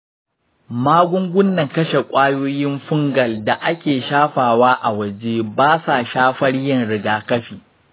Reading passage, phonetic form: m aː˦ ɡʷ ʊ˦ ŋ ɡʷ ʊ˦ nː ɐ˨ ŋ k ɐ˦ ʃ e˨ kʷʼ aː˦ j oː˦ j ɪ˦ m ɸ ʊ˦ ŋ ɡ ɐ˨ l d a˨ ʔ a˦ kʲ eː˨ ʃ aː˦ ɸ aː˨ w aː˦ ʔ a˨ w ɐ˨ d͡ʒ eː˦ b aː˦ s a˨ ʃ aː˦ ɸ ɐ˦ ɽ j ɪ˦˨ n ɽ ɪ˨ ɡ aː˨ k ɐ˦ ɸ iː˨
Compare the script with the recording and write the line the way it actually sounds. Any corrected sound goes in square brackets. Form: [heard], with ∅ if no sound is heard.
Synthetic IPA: m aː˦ ɡʷ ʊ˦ ŋ ɡʷ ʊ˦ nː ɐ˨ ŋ k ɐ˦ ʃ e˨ kʷʼ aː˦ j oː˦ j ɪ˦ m ɸ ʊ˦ ŋ ɡ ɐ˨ l d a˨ ʔ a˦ kʲ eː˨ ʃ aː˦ ɸ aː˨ w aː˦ ʔ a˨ w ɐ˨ d͡ʒ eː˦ b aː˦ s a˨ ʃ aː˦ ɸ ɐ˦ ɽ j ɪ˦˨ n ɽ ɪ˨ ɡ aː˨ k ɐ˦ ɸ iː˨